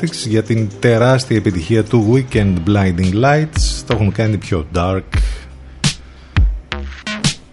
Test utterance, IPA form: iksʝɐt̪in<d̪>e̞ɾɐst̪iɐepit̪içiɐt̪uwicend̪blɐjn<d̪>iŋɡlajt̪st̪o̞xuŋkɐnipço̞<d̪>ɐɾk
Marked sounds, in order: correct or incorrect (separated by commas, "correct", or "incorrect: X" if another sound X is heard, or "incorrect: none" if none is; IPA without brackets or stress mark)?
incorrect: t̪, correct, correct